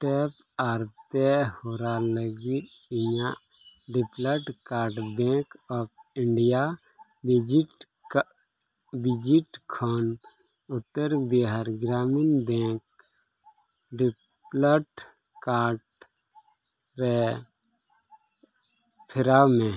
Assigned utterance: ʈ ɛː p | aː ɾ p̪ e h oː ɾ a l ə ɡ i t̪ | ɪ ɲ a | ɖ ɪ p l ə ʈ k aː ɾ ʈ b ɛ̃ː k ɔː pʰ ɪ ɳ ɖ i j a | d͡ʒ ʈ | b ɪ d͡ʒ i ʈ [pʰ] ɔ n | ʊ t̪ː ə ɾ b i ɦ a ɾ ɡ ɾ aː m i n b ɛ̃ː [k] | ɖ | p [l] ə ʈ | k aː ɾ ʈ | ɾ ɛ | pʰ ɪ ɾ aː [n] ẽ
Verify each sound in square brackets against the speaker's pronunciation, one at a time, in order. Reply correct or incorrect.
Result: incorrect, correct, correct, incorrect

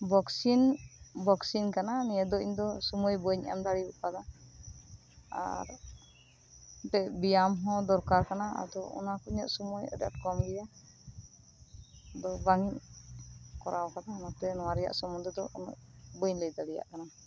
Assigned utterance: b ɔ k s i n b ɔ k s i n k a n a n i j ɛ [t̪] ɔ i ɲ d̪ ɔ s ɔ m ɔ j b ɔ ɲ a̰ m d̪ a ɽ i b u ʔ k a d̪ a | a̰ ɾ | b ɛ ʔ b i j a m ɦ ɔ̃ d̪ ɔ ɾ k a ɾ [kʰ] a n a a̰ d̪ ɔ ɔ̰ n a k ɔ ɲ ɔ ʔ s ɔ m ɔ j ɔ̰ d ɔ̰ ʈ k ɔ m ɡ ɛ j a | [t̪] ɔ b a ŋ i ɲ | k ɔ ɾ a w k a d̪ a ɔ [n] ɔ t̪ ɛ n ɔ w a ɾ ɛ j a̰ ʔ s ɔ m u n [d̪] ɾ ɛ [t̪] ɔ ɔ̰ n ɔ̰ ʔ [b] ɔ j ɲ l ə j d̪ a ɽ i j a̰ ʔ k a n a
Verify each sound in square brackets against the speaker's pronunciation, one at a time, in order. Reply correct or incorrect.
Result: incorrect, incorrect, incorrect, correct, correct, incorrect, correct

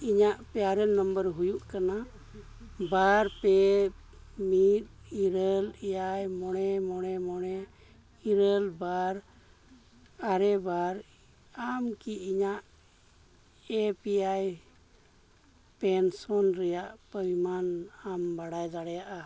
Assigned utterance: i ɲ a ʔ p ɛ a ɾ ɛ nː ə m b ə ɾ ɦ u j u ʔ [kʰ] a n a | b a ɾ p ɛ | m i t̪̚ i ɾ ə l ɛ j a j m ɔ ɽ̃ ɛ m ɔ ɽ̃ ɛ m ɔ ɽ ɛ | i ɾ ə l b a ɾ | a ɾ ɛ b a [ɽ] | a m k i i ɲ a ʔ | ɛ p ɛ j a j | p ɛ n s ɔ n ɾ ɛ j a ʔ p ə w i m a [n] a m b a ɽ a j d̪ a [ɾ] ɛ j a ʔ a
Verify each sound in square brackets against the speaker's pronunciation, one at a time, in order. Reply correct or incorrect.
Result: incorrect, incorrect, correct, incorrect

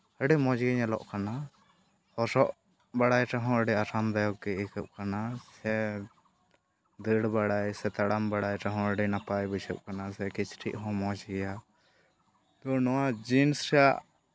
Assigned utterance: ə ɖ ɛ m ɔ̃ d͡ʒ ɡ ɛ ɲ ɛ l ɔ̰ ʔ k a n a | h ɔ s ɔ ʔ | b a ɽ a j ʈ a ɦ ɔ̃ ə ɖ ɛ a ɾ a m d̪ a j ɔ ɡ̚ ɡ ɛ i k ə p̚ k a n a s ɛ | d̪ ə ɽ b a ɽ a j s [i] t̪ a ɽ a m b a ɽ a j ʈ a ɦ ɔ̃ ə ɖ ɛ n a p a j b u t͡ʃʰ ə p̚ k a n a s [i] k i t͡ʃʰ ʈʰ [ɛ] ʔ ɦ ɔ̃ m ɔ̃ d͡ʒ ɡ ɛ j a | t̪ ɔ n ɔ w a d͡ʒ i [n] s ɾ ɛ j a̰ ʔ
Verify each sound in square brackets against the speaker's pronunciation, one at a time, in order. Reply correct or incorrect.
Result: incorrect, incorrect, incorrect, correct

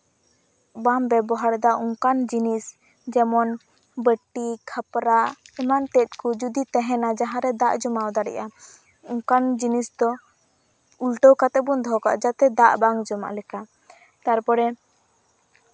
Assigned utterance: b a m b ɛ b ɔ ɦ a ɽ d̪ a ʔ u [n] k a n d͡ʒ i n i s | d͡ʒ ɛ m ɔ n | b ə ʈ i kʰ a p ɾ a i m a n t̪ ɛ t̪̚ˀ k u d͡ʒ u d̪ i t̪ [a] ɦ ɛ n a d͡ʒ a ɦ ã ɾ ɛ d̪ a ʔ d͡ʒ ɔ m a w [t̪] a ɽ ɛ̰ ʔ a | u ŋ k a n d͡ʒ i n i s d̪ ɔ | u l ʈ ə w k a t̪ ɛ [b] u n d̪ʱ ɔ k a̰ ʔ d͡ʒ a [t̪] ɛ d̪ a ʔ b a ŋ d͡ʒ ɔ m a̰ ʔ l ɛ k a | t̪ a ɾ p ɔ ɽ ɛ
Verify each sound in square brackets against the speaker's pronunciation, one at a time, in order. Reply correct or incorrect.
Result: incorrect, incorrect, incorrect, correct, correct

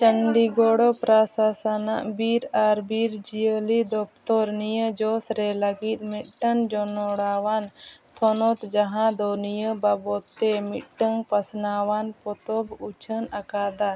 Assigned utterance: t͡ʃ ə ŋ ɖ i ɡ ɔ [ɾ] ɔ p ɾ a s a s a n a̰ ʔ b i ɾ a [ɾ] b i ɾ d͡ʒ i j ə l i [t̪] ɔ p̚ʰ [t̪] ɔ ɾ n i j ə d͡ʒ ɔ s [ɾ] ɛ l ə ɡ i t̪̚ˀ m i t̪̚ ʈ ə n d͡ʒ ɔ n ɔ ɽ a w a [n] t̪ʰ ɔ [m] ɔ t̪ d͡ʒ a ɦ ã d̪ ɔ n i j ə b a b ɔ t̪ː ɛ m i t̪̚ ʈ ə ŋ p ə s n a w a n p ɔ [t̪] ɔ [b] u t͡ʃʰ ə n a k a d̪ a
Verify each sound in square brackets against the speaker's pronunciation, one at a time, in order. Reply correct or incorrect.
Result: incorrect, correct, incorrect, correct, correct, correct, incorrect, correct, correct

